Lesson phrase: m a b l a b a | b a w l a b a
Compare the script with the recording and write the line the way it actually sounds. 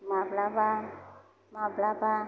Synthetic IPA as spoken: m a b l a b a | m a b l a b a